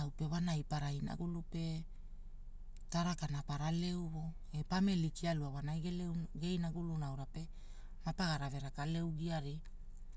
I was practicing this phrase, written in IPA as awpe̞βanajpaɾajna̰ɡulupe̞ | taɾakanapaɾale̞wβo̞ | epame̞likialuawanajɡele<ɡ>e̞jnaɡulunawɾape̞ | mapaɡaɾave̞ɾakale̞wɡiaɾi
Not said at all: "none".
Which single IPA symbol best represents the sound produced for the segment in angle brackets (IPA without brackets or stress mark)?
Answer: ɡ